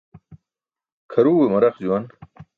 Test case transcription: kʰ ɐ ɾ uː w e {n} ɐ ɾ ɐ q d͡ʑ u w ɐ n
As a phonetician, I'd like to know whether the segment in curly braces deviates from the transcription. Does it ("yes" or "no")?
yes